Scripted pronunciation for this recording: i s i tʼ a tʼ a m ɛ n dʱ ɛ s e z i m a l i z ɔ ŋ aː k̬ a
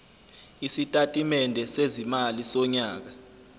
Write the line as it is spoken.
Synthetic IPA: i s i tʼ a tʼ i m ɛ n dʱ ɛ s e z i m a l i s ɔ ɲ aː k̬ a